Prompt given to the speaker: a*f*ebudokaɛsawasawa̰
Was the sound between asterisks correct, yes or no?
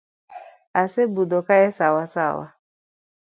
no